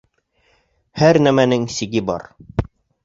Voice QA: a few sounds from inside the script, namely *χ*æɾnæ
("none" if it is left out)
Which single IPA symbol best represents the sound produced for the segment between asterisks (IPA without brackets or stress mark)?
h